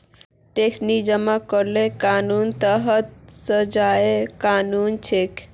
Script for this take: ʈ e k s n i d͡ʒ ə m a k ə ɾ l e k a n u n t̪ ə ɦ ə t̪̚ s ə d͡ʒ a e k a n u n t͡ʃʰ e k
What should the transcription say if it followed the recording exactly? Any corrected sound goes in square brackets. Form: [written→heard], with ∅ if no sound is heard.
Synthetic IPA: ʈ e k s n i d͡ʒ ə m a k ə ɾ l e k a n u n t̪ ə ɦ ə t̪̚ s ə d͡ʒ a e k a n u n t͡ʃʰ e k